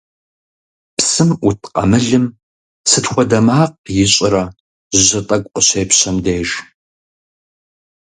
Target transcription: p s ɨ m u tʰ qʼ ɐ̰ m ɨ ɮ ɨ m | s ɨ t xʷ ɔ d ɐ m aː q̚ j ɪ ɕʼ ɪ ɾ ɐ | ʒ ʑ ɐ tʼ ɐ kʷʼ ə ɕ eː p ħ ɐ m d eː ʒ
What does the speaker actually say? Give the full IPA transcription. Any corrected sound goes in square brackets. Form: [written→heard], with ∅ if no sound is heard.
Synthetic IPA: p s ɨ m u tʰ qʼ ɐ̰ m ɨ ɮ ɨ m | s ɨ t xʷ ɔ d ɐ m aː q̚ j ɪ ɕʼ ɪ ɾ ɐ | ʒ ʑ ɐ tʼ ɐ kʷʼ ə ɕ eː p [ħ→ɕ] ɐ m d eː ʒ